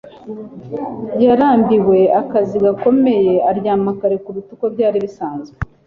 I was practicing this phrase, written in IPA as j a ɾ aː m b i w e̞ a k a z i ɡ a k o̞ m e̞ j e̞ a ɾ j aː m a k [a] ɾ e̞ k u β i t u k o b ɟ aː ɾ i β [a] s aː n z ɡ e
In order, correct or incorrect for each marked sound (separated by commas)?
correct, incorrect